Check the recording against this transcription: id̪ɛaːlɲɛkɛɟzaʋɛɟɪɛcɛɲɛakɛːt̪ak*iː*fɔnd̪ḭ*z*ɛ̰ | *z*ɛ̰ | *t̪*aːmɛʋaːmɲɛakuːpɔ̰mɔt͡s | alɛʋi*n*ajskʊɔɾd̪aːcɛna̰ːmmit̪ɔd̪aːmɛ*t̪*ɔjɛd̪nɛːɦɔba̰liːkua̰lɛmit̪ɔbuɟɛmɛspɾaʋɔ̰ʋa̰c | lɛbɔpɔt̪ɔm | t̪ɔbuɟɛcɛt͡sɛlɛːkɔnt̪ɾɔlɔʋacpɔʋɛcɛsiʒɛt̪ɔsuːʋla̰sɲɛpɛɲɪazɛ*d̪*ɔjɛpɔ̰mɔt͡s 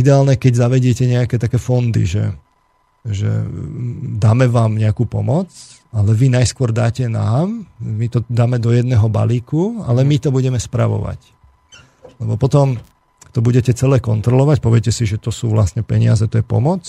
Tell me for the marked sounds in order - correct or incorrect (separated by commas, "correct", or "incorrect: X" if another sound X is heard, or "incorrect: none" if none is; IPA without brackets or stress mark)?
incorrect: ɛː, incorrect: ʒ, incorrect: ʒ, incorrect: d̪, correct, incorrect: d̪, incorrect: t̪